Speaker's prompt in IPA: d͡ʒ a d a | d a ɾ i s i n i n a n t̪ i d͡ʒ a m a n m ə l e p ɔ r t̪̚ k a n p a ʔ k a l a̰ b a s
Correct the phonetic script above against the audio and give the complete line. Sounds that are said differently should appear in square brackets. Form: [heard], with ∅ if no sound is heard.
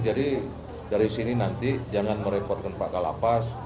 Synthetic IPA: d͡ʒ a d [i] | d a ɾ i s i n i n a n t̪ i d͡ʒ a [ŋ] a n m ə [ɾ] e p ɔ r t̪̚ k a n p a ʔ k a l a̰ [p] a s